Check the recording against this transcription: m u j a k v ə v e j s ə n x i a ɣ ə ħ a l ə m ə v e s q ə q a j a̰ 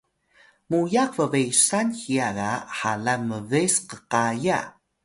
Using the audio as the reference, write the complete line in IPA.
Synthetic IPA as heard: m u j a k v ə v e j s a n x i a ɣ a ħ a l a m ə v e s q ə q a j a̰